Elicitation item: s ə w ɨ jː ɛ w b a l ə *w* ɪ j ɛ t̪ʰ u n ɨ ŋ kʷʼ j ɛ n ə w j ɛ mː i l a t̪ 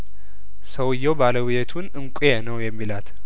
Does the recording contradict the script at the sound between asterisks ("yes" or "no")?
no